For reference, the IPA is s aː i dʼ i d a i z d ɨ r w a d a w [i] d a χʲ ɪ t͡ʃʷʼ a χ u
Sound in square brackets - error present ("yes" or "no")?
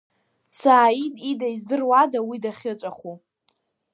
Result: no